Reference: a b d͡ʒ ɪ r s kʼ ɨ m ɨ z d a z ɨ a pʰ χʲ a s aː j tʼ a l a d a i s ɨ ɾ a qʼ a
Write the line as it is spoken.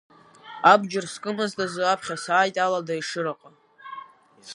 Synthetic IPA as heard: a b d͡ʒ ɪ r s kʼ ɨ m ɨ z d a z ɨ a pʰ χʲ a s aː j tʼ a l a d a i ʂ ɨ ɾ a qʼ a

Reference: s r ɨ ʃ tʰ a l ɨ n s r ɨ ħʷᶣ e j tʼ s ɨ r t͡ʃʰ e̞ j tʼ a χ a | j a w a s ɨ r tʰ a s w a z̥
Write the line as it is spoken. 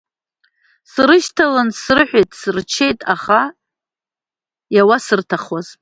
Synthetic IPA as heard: s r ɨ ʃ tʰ a l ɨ n s r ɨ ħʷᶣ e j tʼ s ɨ r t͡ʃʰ e̞ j tʼ a χ a | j a w a s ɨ r tʰ a χ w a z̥

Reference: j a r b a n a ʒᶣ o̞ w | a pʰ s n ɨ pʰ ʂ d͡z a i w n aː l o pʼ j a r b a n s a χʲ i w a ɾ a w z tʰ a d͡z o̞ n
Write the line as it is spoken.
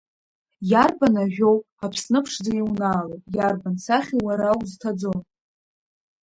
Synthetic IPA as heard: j a r b a n a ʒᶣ o̞ w | a pʰ s n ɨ pʰ ʂ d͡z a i w n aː l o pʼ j a r b a n s a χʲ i w a ɾ a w z tʰ a d͡z o̞ n

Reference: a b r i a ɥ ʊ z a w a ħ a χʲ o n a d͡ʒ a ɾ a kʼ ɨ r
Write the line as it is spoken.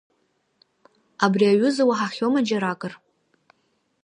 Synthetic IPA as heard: a b r i a ɥ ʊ z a w a ħ a χʲ o m a d͡ʒ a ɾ a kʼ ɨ r

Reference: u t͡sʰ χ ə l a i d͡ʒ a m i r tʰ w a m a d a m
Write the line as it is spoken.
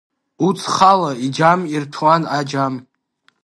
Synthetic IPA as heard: u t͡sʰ χ a l a i d͡ʒ a m i r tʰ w a n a d͡ʒ a m

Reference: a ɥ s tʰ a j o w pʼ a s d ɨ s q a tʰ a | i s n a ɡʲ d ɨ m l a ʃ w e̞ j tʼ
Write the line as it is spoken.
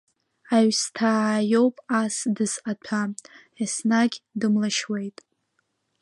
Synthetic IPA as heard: a ɥ s tʰ a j o w pʼ a s d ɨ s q a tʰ a | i s n a ɡʲ d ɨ m l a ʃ w e̞ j tʼ

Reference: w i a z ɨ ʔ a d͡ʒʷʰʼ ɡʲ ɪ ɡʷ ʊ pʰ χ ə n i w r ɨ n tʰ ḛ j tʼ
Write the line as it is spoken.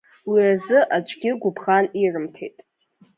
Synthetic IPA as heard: w i a z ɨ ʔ a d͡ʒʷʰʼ ɡʲ ɪ ɡʷ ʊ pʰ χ a n i r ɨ m tʰ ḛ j tʼ

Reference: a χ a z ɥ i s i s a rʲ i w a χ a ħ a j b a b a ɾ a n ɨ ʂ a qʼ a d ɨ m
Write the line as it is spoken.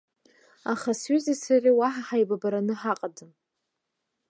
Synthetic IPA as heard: a χ a s ɥ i z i s a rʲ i w a ħ a ħ a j b a b a ɾ a n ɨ ħ a qʼ a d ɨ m

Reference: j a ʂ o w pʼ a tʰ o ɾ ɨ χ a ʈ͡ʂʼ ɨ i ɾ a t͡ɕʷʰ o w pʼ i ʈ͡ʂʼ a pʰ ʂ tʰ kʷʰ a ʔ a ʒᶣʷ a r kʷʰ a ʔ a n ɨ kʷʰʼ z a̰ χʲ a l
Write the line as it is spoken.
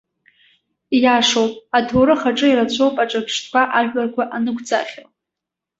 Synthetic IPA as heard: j a ʂ o w pʼ a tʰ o ɾ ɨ χ a ʈ͡ʂʼ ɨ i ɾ a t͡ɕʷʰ o w pʼ a ʈ͡ʂʼ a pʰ ʂ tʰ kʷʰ a ʔ a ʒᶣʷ a r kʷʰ a ʔ a n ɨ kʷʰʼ d͡z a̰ χʲ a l

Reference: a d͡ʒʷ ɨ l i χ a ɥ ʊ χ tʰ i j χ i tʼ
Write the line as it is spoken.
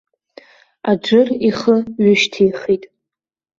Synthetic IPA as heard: a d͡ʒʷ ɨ r i χ ə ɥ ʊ ʃ tʰ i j χ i tʼ

